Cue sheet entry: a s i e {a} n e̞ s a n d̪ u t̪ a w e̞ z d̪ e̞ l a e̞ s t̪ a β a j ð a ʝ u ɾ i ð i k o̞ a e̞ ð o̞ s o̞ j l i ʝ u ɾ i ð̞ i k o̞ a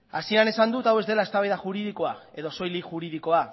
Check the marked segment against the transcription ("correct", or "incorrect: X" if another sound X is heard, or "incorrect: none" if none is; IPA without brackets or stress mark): correct